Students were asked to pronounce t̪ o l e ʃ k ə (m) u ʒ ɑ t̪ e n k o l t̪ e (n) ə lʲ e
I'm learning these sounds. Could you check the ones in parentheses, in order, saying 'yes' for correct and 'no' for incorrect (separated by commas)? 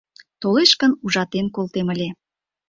no, no